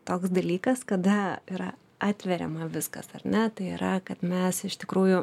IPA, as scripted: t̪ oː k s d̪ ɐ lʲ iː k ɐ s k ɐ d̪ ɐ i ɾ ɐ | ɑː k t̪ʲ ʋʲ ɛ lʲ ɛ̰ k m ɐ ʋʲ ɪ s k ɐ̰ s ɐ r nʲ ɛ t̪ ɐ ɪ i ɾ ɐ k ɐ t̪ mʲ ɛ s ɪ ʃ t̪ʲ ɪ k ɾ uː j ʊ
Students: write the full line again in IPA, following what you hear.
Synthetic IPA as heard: t̪ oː k s d̪ ɐ lʲ iː k ɐ s k ɐ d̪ ɐ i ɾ ɐ | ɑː t̪ʲ ʋʲ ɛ ɾʲ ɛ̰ m ɐ ʋʲ ɪ s k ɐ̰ s ɐ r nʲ ɛ t̪ ɐ ɪ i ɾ ɐ k ɐ t̪ mʲ ɛ s ɪ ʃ t̪ʲ ɪ k ɾ uː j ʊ